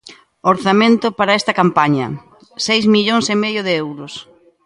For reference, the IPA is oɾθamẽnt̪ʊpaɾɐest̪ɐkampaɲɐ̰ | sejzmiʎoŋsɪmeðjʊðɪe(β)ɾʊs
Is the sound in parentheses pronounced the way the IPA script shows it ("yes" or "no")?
no